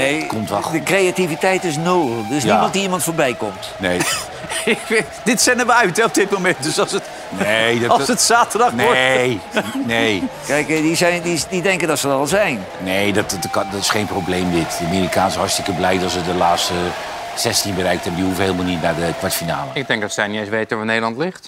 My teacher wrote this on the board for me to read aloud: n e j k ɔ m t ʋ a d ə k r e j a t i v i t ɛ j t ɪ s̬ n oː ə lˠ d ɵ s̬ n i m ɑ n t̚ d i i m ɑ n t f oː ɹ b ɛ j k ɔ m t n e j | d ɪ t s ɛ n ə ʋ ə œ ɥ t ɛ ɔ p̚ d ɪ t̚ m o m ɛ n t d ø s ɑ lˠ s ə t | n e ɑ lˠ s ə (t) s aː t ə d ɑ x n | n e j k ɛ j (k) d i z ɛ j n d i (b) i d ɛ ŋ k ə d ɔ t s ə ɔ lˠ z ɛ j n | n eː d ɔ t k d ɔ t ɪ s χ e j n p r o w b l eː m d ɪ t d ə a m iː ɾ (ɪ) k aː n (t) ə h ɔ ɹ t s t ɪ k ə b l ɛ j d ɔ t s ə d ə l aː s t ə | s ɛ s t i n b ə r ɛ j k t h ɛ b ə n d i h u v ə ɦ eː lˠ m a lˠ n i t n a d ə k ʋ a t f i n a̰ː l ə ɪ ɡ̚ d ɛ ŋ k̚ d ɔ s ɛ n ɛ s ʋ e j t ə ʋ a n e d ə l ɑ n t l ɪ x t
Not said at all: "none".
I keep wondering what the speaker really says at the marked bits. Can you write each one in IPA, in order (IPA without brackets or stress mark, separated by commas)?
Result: t, k, d, i, s